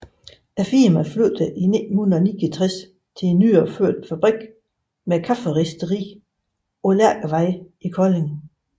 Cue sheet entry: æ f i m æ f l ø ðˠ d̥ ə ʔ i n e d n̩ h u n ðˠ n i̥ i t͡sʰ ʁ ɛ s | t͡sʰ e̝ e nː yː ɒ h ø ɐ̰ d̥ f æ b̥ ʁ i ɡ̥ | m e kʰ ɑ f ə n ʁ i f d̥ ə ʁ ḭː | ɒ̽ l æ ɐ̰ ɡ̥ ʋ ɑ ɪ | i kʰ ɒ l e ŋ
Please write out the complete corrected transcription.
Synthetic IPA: æ f i m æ f l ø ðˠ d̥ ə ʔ i n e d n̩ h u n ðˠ n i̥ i t͡sʰ ʁ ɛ s | t͡sʰ e̝ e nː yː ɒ f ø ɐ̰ d̥ f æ b̥ ʁ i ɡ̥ | m e kʰ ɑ f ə ʁ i s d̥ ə ʁ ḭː | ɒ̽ l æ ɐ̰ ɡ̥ ʋ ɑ ɪ | i kʰ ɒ l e ŋ